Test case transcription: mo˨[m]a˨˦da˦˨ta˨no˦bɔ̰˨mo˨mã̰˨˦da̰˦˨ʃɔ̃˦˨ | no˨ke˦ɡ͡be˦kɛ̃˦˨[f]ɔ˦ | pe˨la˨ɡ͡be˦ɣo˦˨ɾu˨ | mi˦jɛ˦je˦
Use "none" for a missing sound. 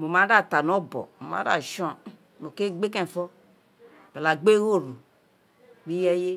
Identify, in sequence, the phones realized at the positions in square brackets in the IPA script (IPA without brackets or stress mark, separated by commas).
m, f